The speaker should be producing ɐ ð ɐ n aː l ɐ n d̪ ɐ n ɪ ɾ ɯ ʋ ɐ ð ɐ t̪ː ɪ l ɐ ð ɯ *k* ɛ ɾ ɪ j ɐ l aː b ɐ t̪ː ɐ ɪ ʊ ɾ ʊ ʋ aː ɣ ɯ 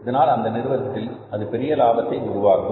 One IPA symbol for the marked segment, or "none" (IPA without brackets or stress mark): p